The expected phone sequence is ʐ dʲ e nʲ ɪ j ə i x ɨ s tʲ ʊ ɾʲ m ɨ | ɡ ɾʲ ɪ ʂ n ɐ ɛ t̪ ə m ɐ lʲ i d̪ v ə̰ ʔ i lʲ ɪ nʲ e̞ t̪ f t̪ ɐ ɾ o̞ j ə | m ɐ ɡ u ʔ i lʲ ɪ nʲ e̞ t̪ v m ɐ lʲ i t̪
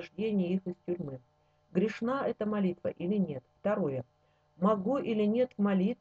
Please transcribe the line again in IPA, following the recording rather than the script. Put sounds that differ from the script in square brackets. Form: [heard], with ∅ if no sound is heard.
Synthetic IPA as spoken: ʐ dʲ e nʲ ɪ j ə i x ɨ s tʲ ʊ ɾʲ m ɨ | ɡ ɾʲ ɪ ʂ n [a] ɛ t̪ ə m ɐ lʲ i [t̪] v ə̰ ʔ i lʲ ɪ nʲ e̞ t̪ f t̪ ɐ ɾ o̞ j ə | m ɐ ɡ u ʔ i lʲ ɪ nʲ e̞ t̪ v m ɐ lʲ i t̪